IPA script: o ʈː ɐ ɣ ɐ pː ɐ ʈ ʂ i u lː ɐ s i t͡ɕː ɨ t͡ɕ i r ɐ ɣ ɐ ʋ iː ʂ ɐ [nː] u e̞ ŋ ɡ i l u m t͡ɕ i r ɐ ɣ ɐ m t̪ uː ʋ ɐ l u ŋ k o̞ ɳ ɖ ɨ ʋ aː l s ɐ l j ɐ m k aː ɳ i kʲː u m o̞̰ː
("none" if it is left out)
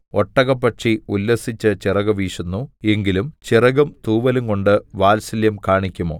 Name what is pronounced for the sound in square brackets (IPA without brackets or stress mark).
nː